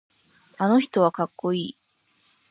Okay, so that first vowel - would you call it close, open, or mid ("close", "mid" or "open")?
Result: open